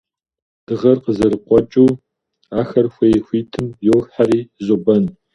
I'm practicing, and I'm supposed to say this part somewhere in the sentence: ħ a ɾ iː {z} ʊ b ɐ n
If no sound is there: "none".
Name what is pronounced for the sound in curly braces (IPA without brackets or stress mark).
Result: z